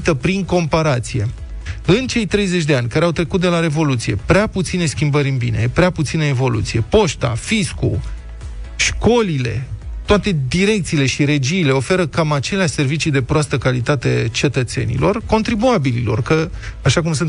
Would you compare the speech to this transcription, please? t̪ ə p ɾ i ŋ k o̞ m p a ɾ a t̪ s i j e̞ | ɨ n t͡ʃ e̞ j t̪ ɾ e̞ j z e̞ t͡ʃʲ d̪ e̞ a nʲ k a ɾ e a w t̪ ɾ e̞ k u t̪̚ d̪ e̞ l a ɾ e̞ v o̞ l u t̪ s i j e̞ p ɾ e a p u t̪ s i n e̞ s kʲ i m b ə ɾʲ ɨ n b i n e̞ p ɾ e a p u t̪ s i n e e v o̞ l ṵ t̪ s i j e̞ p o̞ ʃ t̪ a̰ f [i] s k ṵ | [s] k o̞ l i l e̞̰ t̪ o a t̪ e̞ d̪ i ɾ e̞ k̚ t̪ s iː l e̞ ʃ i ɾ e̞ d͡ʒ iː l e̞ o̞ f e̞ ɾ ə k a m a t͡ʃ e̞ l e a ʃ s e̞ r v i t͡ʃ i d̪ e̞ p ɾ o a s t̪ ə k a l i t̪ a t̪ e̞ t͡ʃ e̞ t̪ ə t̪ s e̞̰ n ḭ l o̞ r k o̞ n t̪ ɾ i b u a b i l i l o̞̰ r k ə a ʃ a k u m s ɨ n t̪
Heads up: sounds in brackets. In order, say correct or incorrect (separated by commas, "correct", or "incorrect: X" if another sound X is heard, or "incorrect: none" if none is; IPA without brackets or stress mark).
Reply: correct, incorrect: ʃ